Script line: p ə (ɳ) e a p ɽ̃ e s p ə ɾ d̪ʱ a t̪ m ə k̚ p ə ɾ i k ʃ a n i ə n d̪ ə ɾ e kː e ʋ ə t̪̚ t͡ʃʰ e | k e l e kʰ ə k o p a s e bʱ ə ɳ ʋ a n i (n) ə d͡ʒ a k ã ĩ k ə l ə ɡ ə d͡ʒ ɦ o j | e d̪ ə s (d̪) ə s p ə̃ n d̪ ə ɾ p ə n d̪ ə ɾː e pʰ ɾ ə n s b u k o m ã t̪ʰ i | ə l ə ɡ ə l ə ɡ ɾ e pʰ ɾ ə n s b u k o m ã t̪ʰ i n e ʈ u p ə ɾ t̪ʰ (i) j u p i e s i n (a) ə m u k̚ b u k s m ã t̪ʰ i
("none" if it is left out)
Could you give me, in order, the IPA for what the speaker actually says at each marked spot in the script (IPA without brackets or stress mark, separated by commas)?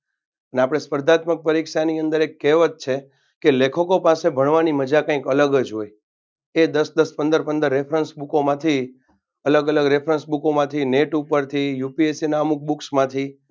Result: n, m, d̪, i, a